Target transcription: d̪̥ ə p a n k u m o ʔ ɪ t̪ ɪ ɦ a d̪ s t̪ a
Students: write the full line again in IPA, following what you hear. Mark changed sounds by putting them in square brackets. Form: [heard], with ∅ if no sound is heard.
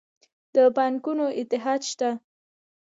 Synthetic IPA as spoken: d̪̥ ə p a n k u [n] o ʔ ɪ t̪ ɪ ɦ [ɑ] d̪ [ʃ] t̪ a